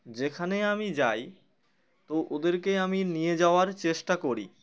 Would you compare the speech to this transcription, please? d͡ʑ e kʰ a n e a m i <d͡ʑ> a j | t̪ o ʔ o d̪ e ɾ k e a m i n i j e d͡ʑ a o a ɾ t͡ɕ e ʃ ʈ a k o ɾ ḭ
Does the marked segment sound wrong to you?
no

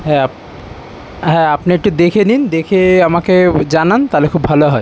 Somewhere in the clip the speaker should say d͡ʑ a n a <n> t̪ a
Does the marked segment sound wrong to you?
no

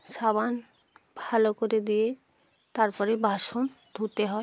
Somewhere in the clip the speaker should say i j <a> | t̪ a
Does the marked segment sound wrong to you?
yes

